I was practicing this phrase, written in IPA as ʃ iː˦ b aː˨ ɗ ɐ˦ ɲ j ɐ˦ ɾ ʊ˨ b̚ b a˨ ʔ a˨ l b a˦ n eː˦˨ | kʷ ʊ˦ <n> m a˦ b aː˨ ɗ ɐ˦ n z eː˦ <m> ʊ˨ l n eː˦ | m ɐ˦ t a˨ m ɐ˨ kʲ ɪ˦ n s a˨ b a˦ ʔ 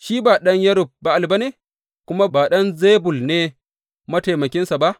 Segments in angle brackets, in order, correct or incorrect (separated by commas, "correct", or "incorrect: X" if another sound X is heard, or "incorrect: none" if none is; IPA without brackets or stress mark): incorrect: none, incorrect: b